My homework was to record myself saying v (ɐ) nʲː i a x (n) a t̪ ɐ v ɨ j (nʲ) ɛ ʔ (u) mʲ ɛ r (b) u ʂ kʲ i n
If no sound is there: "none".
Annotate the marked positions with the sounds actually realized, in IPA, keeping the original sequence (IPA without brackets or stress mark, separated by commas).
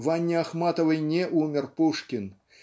a, m, nʲ, u, p